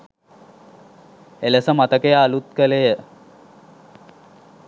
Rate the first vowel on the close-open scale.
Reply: mid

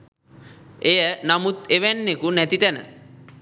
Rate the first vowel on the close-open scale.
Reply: mid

